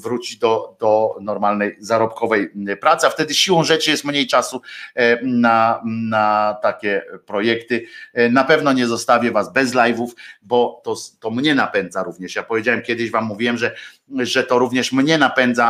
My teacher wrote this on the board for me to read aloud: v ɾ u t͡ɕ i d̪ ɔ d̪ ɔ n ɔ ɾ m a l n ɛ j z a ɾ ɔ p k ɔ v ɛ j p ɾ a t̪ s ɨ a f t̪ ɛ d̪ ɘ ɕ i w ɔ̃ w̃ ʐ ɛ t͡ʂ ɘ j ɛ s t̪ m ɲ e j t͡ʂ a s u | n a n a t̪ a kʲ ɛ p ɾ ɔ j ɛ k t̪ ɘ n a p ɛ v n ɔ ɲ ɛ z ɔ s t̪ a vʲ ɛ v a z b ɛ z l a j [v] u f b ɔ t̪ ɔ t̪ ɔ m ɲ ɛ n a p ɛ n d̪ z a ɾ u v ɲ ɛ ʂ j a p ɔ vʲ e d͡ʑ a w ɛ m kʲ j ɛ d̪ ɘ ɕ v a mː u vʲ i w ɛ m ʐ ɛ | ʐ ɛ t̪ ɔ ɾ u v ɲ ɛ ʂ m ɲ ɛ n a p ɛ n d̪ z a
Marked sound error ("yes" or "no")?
no